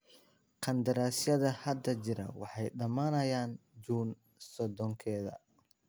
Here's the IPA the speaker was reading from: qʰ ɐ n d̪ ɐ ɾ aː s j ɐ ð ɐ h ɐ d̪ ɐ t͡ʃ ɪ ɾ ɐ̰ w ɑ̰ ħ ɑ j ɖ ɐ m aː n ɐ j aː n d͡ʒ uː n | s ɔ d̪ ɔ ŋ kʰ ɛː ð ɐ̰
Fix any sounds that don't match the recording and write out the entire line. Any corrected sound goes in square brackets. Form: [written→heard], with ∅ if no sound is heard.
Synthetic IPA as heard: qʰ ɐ n d̪ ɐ ɾ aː s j ɐ ð ɐ h ɐ d̪ ɐ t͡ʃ ɪ ɾ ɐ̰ w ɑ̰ ħ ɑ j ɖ ɐ m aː n ɐ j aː n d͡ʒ uː n | s ɔ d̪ ɔ ŋ kʰ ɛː ð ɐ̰